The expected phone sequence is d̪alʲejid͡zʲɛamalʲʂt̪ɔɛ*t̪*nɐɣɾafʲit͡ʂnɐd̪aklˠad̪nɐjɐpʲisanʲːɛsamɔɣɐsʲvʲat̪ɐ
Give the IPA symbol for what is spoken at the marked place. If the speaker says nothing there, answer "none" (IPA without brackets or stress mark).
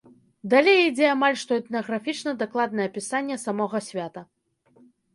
t̪